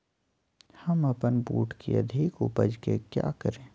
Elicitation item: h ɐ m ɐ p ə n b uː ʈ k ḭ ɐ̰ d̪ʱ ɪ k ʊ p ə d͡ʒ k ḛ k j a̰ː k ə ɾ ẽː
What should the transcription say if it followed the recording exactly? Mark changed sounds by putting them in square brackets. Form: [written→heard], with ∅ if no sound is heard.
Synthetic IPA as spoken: h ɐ m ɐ p ə n b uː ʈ k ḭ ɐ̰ d̪ʱ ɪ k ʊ p ə d͡ʒ k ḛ k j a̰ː k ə ɾ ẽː